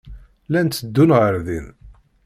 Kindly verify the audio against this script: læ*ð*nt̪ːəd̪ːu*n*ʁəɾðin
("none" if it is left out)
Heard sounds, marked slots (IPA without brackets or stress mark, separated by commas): none, n